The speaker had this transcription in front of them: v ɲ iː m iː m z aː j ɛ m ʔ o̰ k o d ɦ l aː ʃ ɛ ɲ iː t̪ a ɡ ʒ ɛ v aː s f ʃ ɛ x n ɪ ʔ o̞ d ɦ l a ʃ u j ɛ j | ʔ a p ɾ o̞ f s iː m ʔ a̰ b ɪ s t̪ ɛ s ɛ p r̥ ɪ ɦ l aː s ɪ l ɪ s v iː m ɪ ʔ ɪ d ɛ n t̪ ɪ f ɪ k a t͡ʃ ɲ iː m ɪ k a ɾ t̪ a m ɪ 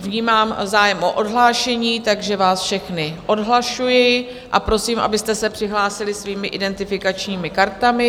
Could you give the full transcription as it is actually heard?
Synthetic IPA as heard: v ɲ iː m aː m z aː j ɛ m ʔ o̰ ʔ o d ɦ l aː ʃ ɛ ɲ iː t̪ a ɡ ʒ ɛ v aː s f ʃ ɛ x n ɪ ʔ o̞ d ɦ l a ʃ u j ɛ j | ʔ a p ɾ o̞ s iː m ʔ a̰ b ɪ s t̪ ɛ s ɛ p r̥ ɪ ɦ l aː s ɪ l ɪ s v iː m ɪ ʔ ɪ d ɛ n t̪ ɪ f ɪ k a t͡ʃ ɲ iː m ɪ k a ɾ t̪ a m ɪ